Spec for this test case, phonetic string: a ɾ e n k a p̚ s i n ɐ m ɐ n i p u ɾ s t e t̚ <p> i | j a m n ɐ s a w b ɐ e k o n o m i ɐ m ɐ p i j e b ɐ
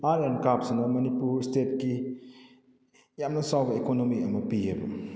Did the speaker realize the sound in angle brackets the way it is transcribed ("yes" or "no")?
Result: no